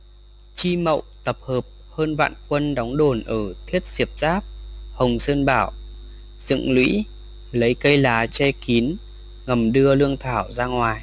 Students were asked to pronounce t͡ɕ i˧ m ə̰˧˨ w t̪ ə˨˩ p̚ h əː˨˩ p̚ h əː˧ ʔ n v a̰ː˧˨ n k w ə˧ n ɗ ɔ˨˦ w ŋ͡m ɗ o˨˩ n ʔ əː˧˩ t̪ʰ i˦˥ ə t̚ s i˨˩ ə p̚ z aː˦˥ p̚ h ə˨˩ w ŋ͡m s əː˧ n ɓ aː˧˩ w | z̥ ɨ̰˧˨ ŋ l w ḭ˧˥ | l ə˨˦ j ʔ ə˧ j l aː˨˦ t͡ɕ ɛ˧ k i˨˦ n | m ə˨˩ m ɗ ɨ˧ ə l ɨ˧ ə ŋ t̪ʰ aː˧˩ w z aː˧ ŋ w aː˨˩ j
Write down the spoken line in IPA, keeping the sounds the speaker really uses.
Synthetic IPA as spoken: t͡ɕ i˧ m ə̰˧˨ w t̪ ə˨˩ p̚ h əː˨˩ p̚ h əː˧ n v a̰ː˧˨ n k w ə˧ n ɗ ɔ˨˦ w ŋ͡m ɗ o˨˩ n ʔ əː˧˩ t̪ʰ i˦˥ ə t̚ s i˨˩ ə p̚ z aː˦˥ p̚ h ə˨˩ w ŋ͡m s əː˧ n ɓ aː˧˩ w | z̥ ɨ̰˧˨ ŋ l w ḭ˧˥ | l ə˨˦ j k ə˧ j l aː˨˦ t͡ɕ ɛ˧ k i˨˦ n | ŋ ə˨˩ m ɗ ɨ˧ ə l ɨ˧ ə ŋ t̪ʰ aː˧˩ w z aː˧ ŋ w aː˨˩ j